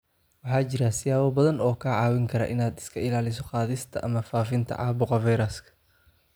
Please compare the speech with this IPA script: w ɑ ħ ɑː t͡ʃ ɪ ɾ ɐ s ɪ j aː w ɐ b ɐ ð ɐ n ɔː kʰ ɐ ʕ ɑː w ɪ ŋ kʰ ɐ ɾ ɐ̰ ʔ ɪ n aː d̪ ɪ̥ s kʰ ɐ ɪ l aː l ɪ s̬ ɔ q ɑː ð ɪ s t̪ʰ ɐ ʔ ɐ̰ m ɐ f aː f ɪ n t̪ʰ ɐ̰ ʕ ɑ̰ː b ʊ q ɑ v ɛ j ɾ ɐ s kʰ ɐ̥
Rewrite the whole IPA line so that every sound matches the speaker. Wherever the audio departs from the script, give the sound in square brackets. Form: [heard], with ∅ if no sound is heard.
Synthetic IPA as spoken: w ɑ ħ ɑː t͡ʃ ɪ ɾ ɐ s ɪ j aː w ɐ b ɐ ð ɐ n ɔː kʰ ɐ ʕ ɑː w ɪ ŋ kʰ ɐ ɾ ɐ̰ ʔ ɪ n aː d̪ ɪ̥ s kʰ ɐ ɪ l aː l ɪ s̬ ɔ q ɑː ð ɪ s t̪ʰ ɐ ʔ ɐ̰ m ɐ f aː f ɪ n t̪ʰ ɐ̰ ʕ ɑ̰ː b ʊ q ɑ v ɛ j ɾ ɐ s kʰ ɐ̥

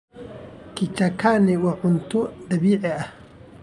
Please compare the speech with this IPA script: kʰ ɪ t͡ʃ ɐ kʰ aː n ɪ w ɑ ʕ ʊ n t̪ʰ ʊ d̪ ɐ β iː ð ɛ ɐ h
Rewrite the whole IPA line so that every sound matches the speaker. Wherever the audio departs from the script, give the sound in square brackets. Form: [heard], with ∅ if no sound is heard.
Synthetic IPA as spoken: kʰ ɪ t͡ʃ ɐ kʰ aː n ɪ w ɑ ʕ ʊ n t̪ʰ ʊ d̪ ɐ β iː [ʕ] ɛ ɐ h

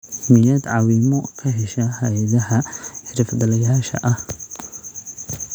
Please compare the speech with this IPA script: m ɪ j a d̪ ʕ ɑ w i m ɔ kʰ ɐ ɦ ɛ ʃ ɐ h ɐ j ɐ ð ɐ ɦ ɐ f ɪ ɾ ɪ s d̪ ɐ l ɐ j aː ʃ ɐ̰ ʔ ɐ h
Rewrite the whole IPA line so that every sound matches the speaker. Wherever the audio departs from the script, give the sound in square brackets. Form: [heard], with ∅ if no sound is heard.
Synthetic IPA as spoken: m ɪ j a d̪ ʕ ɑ w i m ɔ kʰ ɐ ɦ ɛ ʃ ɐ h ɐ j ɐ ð ɐ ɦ ɐ [ħ] ɪ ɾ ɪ [f] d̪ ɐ l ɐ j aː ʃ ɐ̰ ʔ ɐ h

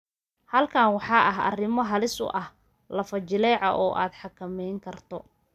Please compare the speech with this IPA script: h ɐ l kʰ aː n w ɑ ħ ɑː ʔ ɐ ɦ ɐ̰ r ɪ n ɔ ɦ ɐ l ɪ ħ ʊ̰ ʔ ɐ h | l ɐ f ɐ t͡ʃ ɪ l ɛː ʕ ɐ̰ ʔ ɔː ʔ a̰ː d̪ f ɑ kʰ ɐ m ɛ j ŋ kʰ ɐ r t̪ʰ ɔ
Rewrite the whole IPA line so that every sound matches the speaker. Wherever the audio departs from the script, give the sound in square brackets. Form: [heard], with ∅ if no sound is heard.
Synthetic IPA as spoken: h ɐ l kʰ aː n w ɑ ħ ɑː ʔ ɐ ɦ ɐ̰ r ɪ [m] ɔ ɦ ɐ l ɪ [s] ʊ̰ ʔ ɐ h | l ɐ f ɐ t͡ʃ ɪ l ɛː ʕ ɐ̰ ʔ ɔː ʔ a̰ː d̪ [ħ] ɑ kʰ ɐ m ɛ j ŋ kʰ ɐ r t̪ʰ ɔ

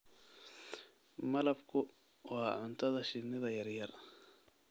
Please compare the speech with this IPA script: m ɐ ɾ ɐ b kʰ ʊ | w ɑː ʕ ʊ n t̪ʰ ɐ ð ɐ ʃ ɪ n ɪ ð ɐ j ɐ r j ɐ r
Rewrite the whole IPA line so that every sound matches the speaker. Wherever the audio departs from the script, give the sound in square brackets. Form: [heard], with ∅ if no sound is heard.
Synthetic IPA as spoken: m ɐ [l] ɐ b kʰ ʊ | w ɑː ʕ ʊ n t̪ʰ ɐ ð ɐ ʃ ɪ n ɪ ð ɐ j ɐ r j ɐ r

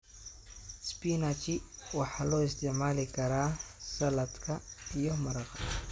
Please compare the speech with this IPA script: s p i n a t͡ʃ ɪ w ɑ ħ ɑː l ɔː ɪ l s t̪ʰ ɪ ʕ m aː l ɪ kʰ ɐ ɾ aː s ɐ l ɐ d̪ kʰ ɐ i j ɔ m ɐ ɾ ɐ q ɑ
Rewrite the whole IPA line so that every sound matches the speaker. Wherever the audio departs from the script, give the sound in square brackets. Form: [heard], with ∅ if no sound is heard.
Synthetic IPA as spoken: s p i n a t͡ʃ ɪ w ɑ ħ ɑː l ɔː ɪ [∅] s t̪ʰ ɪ ʕ m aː l ɪ kʰ ɐ ɾ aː s ɐ l ɐ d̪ kʰ ɐ i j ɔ m ɐ ɾ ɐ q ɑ

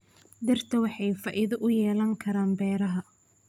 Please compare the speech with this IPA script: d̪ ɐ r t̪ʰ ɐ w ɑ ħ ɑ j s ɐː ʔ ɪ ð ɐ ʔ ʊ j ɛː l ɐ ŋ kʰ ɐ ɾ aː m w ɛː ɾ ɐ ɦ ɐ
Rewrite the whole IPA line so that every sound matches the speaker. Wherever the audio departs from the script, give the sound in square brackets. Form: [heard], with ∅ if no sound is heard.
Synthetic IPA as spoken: d̪ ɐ r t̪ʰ ɐ w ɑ ħ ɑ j [f] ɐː ʔ ɪ ð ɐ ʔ ʊ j ɛː l ɐ ŋ kʰ ɐ ɾ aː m [b] ɛː ɾ ɐ ɦ ɐ

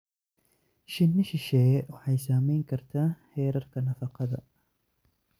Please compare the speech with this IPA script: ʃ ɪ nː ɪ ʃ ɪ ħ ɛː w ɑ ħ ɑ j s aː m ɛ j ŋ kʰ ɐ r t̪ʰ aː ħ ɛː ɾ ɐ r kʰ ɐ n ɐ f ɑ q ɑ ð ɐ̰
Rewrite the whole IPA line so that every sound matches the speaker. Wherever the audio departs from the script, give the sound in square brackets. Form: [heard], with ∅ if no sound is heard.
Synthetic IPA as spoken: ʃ ɪ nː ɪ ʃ ɪ [ʃ] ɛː w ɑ ħ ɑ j s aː m ɛ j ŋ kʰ ɐ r t̪ʰ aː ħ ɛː ɾ ɐ r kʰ ɐ n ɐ f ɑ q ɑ ð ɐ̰

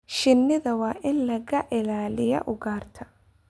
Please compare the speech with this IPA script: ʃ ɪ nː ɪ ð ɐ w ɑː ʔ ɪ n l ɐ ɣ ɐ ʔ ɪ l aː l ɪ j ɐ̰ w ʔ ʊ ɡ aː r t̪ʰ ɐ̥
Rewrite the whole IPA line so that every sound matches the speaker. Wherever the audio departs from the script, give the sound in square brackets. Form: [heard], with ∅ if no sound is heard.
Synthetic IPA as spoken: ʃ ɪ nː ɪ ð ɐ w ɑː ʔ ɪ n l ɐ ɣ ɐ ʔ ɪ l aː l ɪ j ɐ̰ [∅] ʔ ʊ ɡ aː r t̪ʰ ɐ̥

